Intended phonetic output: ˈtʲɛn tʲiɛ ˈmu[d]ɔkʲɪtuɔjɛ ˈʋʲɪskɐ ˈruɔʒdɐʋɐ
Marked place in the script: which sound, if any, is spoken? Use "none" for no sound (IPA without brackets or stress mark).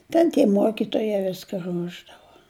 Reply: none